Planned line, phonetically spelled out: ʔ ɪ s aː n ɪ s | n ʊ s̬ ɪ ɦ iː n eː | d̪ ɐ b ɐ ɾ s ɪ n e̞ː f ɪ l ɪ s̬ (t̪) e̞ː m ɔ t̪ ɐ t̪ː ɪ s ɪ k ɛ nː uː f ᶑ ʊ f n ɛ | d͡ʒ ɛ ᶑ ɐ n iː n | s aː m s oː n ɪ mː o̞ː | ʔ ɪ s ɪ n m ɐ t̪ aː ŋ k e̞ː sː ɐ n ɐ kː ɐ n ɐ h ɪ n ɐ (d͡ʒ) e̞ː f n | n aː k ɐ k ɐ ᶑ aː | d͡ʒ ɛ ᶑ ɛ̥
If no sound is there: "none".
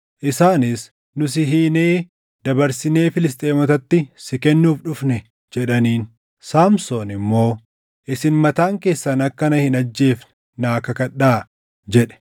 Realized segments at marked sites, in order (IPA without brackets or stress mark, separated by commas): t̪ʼ, d͡ʒː